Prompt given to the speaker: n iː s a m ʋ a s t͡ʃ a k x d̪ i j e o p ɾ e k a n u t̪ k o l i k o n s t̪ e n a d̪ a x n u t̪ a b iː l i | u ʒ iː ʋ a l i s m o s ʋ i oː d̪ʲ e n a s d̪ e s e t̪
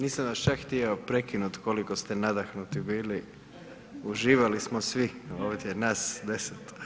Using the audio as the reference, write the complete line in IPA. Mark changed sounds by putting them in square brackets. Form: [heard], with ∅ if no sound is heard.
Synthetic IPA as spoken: n iː s a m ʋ a s t͡ʃ a k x [t̪] i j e o p ɾ e k [i] n u t̪ k o l i k o [∅] s t̪ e n a d̪ a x n u t̪ [i] b iː l i | u ʒ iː ʋ a l i s m o s ʋ i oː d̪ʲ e n a s d̪ e s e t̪